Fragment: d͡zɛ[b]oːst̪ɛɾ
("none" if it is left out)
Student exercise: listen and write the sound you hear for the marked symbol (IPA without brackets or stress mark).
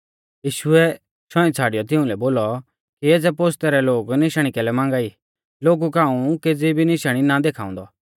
p